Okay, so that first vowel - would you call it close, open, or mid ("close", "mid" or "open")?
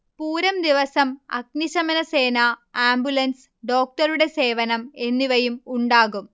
close